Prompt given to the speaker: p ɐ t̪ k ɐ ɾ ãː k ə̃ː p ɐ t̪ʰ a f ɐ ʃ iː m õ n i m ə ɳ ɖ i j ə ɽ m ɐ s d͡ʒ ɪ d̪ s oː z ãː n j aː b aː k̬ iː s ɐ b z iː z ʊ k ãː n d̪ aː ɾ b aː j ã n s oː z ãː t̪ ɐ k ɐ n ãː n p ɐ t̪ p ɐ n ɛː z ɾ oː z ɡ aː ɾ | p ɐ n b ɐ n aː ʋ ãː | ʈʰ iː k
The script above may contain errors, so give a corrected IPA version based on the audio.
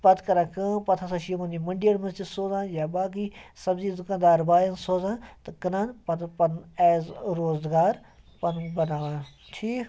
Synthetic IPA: p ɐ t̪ k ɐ ɾ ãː k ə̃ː p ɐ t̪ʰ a s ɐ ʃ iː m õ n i m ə ɳ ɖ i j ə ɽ m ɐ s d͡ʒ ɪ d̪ s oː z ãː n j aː b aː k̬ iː s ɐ b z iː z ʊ k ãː n d̪ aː ɾ b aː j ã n s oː z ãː t̪ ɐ k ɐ n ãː n p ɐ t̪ p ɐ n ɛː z ɾ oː z ɡ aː ɾ | p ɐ n b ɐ n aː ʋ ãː | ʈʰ iː k